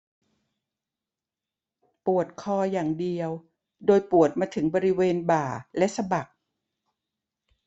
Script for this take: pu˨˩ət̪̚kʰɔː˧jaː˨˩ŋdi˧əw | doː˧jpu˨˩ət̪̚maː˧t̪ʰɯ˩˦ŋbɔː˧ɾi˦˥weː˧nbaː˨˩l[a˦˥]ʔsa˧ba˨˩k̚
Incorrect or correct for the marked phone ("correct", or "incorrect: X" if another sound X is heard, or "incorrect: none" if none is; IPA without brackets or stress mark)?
incorrect: ɛ˦˥